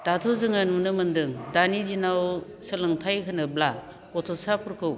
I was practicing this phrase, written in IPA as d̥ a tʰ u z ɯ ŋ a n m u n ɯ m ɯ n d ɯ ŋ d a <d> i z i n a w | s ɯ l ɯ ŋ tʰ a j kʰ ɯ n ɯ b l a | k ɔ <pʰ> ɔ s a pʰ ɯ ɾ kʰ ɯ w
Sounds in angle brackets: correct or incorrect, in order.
incorrect: n, incorrect: tʰ

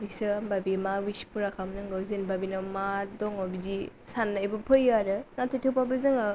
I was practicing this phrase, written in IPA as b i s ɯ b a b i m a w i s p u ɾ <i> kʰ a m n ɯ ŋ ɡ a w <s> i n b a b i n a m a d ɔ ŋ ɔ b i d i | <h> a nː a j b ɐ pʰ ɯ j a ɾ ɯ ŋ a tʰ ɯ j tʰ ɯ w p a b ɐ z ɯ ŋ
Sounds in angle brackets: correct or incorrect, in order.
incorrect: a, incorrect: z, incorrect: s

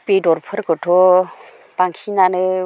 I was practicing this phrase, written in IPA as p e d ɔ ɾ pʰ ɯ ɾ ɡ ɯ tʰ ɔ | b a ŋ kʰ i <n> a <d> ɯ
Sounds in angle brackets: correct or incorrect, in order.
correct, incorrect: n

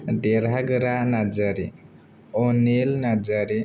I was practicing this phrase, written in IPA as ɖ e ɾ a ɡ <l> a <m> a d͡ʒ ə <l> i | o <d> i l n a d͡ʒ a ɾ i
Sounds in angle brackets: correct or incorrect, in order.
incorrect: ɾ, incorrect: n, incorrect: ɾ, incorrect: n

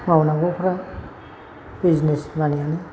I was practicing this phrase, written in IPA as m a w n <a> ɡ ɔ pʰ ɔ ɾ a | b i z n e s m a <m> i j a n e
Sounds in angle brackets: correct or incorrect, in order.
correct, incorrect: n

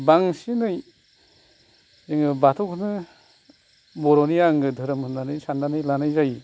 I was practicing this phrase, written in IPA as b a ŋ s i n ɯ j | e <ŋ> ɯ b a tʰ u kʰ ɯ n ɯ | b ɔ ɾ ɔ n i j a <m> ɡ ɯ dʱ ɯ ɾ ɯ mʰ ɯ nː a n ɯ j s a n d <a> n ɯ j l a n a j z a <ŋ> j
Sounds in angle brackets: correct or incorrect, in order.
correct, incorrect: ŋ, correct, incorrect: none

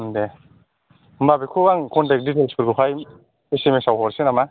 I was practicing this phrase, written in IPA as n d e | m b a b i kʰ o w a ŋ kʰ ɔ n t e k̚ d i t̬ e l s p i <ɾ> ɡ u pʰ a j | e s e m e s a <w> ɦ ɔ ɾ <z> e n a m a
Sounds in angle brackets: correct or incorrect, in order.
correct, correct, incorrect: s

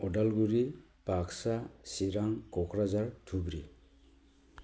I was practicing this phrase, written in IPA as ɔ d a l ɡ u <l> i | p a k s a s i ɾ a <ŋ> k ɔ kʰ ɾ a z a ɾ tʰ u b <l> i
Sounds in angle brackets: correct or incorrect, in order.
incorrect: ɾ, correct, incorrect: ɾ

